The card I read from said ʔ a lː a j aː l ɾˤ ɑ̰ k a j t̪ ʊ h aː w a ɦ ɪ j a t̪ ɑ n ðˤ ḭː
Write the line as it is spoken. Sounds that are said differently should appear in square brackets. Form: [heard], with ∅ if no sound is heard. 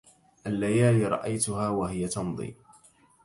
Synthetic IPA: ʔ a lː a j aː l ɾˤ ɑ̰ [ʔ] a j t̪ ʊ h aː w a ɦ ɪ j a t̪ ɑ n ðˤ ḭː